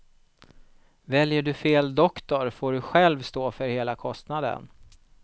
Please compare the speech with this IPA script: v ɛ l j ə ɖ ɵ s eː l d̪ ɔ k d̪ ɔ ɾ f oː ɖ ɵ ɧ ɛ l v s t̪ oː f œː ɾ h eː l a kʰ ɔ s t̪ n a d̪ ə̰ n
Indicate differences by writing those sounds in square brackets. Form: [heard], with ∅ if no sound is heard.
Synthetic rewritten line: v ɛ l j ə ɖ ɵ [f] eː l d̪ ɔ k [t̪] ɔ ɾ f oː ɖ ɵ ɧ ɛ l v s t̪ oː f [œ] ɾ h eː l a kʰ ɔ s t̪ n a d̪ ə̰ n